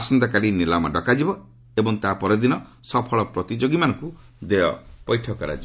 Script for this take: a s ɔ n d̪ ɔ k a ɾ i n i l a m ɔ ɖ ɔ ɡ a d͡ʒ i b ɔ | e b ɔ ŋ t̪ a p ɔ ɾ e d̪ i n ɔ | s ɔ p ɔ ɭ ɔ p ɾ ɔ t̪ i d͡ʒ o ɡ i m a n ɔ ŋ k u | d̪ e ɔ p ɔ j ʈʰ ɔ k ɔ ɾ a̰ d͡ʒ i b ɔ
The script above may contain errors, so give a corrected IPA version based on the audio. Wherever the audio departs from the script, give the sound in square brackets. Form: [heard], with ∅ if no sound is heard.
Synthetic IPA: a s ɔ n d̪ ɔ k a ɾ i n i l a m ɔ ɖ ɔ [k] a d͡ʒ i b ɔ | e b ɔ ŋ t̪ a p ɔ ɾ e d̪ i n ɔ | s ɔ [pʰ] ɔ ɭ ɔ p ɾ ɔ t̪ i d͡ʒ o ɡ i m a n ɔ ŋ k u | d̪ e ɔ p ɔ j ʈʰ ɔ k ɔ ɾ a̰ d͡ʒ i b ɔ